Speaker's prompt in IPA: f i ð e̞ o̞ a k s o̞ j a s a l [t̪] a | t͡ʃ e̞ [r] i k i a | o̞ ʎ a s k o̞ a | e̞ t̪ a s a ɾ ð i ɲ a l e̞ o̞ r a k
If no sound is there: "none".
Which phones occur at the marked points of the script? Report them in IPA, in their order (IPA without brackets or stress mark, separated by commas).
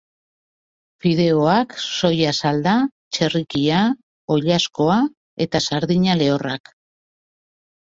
d̪, r